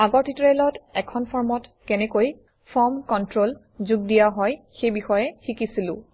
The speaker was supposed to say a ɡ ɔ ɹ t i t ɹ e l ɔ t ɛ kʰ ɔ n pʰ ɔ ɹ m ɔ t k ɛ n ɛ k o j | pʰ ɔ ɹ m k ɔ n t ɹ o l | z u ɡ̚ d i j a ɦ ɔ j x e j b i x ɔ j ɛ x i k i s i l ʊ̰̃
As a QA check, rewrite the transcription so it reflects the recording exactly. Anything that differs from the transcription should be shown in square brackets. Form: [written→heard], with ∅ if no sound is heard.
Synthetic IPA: a ɡ ɔ ɹ t i t ɹ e l ɔ t ɛ kʰ ɔ n pʰ ɔ ɹ m ɔ t k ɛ n ɛ k o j | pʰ ɔ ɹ m k ɔ n t ɹ o l | z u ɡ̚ d i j a ɦ ɔ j x e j b i x ɔ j ɛ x i k i s i l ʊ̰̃

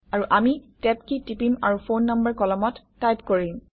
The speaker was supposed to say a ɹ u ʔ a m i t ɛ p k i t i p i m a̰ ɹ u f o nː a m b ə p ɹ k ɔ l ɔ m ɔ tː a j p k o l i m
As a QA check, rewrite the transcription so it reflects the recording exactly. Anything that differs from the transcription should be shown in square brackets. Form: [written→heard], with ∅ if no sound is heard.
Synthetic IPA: a ɹ u ʔ a m i t ɛ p k i t i p i m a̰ ɹ u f o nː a m b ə [p→∅] ɹ k ɔ l ɔ m ɔ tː a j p k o [l→ɹ] i m

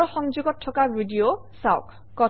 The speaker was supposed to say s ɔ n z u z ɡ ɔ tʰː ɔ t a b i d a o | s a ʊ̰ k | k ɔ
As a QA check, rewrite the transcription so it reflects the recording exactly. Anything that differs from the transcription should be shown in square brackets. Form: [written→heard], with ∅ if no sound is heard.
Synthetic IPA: [s→x] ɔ [n→ŋ] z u [z→∅] ɡ ɔ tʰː ɔ [t→k] a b i d [a→i] o | s a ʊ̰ k | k ɔ

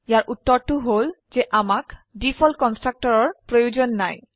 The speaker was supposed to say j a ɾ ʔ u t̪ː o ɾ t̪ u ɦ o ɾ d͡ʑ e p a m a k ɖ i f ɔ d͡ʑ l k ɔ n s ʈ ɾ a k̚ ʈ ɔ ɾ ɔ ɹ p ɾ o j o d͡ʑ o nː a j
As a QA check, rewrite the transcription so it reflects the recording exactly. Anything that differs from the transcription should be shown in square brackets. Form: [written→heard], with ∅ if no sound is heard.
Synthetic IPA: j a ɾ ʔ u t̪ː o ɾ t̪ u ɦ o [ɾ→l] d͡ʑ e [p→ʔ] a m a k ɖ i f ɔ [d͡ʑ→∅] l k ɔ n s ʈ ɾ a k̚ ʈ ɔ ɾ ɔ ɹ p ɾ o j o d͡ʑ o nː a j

